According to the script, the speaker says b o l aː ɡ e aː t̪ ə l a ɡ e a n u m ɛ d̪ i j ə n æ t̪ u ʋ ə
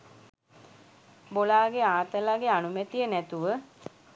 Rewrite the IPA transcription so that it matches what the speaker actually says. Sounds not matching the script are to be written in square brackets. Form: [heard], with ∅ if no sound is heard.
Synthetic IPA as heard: b o l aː ɡ e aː t̪ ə l a ɡ e a n u m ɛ [t̪] i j ə n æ t̪ u ʋ ə